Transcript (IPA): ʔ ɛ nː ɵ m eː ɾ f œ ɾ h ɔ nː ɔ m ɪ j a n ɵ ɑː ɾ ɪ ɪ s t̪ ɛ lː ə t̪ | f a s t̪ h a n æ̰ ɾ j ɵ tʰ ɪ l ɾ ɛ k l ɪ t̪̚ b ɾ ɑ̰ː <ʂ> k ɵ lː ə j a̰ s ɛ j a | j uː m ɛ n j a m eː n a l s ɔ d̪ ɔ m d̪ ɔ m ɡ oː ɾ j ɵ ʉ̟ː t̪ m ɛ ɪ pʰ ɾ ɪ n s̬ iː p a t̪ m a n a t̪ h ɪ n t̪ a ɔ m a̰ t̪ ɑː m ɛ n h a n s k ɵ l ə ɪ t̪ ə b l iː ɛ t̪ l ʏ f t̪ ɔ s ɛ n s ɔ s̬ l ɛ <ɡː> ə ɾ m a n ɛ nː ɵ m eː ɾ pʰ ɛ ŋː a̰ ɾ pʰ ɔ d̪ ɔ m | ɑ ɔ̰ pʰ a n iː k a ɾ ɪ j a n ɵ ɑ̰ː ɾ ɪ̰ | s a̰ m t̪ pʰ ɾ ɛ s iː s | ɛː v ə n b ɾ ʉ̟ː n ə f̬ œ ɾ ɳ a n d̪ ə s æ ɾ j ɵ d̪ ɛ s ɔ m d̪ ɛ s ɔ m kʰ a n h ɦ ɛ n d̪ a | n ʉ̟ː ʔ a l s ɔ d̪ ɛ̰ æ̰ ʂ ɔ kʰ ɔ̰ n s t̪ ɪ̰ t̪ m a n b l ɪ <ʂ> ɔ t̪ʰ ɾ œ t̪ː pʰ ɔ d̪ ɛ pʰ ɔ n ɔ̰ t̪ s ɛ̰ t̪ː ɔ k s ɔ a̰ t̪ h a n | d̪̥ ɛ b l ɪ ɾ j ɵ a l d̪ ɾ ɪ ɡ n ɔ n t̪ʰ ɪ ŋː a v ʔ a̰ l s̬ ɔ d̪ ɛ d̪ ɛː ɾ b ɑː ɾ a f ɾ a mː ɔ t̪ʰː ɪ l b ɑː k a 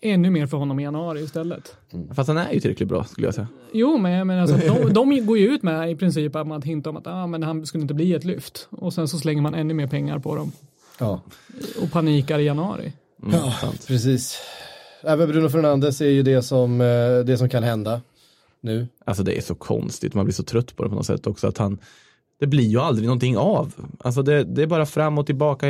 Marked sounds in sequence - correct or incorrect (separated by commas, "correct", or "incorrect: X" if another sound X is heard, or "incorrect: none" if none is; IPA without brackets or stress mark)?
incorrect: s, incorrect: ŋː, correct